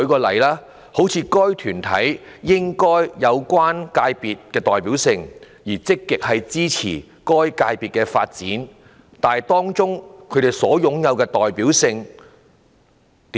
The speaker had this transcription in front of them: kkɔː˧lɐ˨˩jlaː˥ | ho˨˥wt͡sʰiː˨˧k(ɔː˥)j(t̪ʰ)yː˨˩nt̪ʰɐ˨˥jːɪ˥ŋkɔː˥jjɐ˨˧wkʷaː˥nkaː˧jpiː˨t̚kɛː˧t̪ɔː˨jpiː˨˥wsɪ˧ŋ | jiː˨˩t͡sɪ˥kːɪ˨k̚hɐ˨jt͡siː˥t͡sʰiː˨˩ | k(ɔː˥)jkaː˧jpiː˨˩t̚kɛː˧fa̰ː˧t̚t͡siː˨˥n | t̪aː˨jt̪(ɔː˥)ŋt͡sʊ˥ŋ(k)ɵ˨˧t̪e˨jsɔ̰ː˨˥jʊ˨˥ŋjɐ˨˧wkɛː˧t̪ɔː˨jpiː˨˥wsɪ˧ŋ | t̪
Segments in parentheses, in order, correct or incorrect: correct, correct, correct, correct, incorrect: kʰ

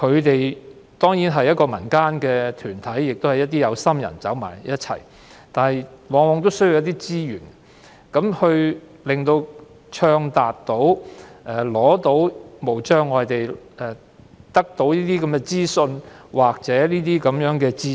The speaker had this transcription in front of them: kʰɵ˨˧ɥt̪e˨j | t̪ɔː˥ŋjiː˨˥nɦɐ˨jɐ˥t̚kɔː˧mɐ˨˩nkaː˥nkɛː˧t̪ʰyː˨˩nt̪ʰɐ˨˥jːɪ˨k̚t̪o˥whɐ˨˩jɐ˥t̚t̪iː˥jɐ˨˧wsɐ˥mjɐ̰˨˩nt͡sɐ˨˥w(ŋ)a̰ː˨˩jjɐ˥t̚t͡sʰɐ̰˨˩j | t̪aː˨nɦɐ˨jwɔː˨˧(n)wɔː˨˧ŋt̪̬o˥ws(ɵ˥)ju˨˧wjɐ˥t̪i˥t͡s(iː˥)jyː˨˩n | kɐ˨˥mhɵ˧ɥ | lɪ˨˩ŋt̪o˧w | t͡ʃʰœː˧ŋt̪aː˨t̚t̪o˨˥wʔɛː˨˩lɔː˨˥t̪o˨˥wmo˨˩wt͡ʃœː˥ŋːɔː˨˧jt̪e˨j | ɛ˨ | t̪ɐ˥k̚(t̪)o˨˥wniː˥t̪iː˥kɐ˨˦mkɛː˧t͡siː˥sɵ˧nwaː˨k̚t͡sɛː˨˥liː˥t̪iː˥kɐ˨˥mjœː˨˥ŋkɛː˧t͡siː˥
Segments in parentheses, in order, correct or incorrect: incorrect: m, incorrect: ŋ, correct, correct, correct

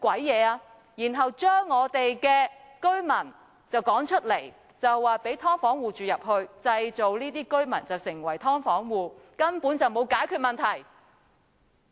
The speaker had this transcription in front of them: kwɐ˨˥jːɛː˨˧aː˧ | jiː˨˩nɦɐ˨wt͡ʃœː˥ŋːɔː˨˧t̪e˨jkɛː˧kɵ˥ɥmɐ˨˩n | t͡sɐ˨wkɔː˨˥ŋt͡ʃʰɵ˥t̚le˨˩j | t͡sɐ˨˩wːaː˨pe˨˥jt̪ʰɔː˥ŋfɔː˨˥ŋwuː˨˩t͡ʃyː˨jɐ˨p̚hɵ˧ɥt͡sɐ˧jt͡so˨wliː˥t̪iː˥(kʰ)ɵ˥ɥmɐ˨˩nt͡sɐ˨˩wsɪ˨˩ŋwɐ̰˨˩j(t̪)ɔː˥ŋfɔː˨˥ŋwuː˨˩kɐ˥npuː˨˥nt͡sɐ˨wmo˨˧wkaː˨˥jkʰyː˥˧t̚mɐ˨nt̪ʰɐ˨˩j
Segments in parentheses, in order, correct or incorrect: incorrect: k, incorrect: t̪ʰ

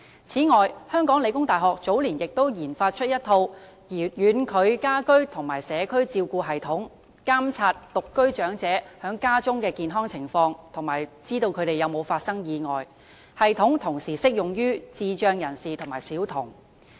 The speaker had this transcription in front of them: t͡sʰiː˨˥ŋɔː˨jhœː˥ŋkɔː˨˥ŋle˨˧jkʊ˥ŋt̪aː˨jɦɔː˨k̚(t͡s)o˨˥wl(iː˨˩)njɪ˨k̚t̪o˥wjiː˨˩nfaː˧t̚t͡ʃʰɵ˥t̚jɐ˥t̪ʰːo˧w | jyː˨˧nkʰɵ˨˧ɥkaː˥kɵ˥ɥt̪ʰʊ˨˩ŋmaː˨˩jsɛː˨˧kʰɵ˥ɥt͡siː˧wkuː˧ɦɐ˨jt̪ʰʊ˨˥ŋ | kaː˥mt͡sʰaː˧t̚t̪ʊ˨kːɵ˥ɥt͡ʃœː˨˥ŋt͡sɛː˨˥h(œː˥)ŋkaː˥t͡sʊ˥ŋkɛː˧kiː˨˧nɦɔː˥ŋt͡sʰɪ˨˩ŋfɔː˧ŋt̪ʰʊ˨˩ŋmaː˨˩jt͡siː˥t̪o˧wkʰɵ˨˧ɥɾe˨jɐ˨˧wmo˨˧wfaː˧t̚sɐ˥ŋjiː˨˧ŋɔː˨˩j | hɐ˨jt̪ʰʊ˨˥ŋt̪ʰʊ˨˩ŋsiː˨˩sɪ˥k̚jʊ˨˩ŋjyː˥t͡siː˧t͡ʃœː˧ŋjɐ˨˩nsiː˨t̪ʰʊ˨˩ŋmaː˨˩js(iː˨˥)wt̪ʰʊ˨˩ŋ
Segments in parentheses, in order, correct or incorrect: correct, correct, incorrect: œː˨˥, correct

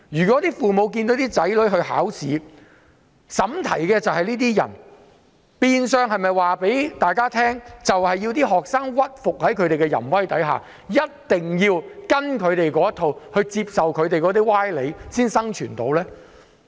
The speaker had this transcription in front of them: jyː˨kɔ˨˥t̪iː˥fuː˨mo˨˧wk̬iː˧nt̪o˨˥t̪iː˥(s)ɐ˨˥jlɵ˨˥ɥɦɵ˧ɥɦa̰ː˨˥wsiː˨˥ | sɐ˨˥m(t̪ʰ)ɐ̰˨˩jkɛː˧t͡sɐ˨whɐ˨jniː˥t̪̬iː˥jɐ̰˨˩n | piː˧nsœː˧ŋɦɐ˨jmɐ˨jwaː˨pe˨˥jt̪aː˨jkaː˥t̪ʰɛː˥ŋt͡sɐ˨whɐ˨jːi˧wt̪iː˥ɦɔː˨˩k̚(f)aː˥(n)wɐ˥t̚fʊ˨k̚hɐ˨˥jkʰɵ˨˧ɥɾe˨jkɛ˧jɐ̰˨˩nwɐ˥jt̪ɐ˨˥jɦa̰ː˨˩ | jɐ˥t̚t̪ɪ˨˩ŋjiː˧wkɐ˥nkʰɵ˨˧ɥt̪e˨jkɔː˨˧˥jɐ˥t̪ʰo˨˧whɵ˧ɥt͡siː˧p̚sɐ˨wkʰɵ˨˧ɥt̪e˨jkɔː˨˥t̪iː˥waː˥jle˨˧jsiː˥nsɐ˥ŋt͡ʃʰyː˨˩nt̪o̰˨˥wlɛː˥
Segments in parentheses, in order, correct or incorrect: incorrect: t͡s, correct, incorrect: s, incorrect: ŋ

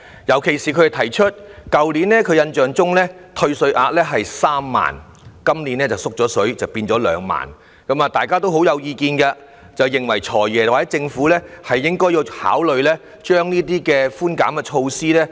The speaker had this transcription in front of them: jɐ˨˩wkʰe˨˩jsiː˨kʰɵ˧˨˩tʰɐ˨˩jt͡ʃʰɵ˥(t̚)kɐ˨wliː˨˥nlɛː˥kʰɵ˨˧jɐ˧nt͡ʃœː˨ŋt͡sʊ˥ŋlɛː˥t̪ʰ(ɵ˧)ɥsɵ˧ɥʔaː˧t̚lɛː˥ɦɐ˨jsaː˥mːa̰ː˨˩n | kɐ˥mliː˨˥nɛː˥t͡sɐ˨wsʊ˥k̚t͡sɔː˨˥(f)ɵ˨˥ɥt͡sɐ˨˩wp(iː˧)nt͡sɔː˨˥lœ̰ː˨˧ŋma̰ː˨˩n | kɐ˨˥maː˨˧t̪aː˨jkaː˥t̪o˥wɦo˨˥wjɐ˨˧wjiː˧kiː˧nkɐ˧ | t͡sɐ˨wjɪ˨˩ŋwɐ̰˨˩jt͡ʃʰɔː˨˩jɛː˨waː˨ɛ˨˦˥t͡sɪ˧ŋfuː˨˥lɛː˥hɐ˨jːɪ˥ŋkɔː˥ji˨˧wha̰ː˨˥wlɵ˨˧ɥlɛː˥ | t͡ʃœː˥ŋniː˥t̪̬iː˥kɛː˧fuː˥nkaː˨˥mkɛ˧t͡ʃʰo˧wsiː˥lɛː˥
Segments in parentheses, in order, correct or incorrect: correct, correct, incorrect: s, correct

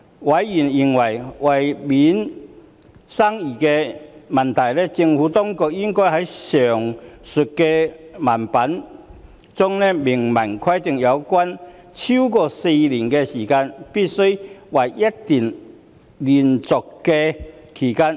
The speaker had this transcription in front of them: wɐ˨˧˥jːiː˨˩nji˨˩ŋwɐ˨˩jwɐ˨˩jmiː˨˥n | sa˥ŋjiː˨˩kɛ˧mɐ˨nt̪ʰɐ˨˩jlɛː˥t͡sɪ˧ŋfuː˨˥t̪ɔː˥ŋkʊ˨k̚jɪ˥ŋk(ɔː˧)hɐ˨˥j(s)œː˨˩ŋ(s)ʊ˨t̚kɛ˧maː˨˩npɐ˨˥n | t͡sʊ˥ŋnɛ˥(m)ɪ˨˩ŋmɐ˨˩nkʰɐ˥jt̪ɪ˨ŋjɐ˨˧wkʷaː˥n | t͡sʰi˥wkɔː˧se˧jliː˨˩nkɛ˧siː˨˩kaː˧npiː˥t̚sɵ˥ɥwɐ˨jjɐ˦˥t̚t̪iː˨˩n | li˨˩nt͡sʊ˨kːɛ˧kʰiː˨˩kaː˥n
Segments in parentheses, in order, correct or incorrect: incorrect: ɔː˥, correct, correct, correct

